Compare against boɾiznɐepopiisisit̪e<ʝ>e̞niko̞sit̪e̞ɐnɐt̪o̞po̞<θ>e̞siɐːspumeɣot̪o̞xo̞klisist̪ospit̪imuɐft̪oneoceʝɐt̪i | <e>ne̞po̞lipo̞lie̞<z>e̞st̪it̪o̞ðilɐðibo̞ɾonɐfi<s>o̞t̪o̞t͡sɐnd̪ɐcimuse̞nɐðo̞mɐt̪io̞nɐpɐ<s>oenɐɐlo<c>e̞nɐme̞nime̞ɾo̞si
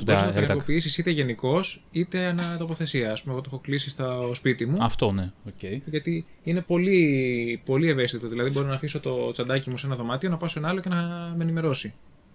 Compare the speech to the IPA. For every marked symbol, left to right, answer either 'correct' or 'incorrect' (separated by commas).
correct, correct, incorrect, incorrect, correct, correct, correct